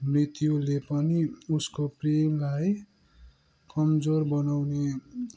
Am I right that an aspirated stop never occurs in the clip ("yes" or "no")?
yes